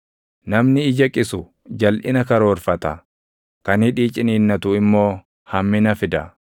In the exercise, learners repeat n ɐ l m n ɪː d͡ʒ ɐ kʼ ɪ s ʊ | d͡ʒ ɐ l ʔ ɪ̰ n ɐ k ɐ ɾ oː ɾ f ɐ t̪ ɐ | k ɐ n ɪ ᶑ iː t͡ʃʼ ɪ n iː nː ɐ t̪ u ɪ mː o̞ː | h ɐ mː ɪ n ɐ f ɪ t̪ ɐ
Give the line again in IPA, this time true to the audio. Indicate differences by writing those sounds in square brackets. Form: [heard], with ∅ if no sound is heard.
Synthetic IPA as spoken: n ɐ [∅] m n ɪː d͡ʒ ɐ kʼ ɪ s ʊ | d͡ʒ ɐ l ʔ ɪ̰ n ɐ k ɐ ɾ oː ɾ f ɐ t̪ ɐ | k ɐ n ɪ ᶑ iː t͡ʃʼ ɪ n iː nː ɐ t̪ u ɪ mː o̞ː | h ɐ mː ɪ n ɐ f ɪ [d̪] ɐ